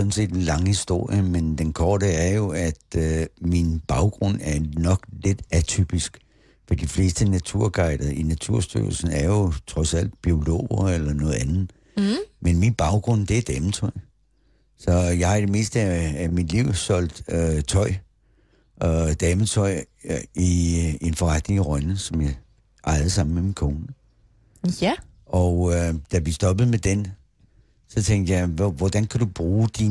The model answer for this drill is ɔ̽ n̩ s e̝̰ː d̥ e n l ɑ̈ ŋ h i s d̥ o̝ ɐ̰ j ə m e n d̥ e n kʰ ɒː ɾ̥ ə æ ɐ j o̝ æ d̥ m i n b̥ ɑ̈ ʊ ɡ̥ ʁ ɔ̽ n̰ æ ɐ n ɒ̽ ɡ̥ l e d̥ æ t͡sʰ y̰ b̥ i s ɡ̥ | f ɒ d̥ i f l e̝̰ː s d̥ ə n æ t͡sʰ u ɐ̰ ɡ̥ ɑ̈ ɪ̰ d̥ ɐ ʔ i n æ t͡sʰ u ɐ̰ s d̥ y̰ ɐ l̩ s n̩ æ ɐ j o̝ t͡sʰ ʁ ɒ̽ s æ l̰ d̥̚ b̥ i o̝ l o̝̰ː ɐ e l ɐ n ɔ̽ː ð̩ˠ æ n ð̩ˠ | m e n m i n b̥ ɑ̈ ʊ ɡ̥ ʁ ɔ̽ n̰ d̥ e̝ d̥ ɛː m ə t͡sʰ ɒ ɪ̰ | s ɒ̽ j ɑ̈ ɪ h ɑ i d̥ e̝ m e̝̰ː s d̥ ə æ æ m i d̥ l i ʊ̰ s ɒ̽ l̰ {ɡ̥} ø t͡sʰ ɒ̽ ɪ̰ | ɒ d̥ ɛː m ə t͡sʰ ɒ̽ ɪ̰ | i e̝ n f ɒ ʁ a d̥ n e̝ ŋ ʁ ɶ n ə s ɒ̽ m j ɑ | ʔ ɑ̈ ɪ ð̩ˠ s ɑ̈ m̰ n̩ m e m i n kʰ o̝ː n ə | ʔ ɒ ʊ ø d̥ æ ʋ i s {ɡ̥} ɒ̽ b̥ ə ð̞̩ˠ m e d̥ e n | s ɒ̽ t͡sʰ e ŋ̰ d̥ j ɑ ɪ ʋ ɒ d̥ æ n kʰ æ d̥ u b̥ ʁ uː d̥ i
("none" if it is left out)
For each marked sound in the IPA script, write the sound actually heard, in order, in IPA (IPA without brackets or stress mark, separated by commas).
d̥, d̥